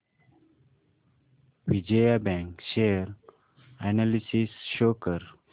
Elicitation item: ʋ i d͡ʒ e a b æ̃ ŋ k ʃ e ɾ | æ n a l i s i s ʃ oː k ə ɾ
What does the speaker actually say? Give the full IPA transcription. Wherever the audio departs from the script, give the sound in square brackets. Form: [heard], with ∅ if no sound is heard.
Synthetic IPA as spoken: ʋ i d͡ʒ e a b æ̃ ŋ k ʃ e ɾ | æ n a l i s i s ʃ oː k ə ɾ